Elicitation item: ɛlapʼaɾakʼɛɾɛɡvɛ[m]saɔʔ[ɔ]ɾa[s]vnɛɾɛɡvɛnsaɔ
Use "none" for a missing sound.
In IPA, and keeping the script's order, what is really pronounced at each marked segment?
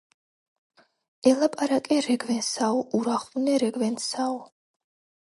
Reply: n, u, χ

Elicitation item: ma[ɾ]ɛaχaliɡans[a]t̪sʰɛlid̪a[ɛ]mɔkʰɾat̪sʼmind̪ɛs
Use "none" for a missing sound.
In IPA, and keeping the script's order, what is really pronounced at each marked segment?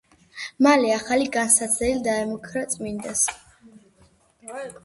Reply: l, a, ɛ

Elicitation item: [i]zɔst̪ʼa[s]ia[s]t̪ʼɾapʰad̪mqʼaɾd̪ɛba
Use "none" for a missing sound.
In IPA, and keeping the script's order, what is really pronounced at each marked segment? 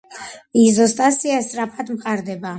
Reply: i, s, s

